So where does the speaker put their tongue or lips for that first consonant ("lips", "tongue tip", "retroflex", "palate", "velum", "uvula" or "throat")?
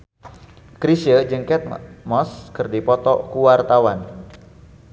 velum